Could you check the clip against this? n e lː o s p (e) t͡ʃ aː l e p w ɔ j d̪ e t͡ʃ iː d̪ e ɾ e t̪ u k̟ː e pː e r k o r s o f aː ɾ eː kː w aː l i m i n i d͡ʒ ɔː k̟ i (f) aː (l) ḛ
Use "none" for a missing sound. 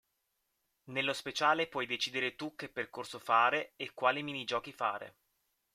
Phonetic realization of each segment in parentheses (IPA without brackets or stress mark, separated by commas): e, f, ɾ